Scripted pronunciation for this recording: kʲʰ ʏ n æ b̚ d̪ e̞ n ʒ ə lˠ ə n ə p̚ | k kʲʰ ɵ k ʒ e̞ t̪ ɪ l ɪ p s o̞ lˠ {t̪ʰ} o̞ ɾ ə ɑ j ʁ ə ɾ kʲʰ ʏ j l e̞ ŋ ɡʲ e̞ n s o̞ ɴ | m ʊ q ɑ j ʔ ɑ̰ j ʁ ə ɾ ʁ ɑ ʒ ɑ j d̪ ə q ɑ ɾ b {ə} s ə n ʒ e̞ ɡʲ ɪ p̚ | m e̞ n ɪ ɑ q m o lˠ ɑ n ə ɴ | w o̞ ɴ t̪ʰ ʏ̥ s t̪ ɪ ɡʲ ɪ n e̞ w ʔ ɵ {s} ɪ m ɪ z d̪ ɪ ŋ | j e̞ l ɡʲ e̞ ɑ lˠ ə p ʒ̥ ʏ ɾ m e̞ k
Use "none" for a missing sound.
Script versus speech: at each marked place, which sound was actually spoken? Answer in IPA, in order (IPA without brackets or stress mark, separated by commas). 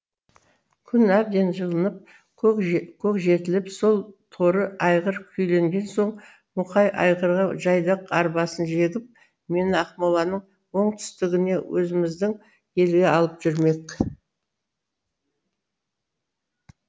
t̪ʰ, ɑ, z